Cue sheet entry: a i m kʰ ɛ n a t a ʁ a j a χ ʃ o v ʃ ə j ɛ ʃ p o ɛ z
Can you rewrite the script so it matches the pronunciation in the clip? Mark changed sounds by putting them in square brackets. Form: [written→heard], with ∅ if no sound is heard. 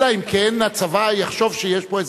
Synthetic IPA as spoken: a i m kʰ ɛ n a [t→t͡s] a [ʁ→v] a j a χ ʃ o v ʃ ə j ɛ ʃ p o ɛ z